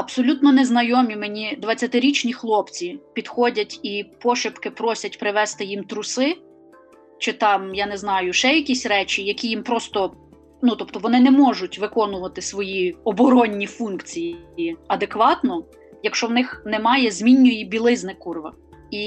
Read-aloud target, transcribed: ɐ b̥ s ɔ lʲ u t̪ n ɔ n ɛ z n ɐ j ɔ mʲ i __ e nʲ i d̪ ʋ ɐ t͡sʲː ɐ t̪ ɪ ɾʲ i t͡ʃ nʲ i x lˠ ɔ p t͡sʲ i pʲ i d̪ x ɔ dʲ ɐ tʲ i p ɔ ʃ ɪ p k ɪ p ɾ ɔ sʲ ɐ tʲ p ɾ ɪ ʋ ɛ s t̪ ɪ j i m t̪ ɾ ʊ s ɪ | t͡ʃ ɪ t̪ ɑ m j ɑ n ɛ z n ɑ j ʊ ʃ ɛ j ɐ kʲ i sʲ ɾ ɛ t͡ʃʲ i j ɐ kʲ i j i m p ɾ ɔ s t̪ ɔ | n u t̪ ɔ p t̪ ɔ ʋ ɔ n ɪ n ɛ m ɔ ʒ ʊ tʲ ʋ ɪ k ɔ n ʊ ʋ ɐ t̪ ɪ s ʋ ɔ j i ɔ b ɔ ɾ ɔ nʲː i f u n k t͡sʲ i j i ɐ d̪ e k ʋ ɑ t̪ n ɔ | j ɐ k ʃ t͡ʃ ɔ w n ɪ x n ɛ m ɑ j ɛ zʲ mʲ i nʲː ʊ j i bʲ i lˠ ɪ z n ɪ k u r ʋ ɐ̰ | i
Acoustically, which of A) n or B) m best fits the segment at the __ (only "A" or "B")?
B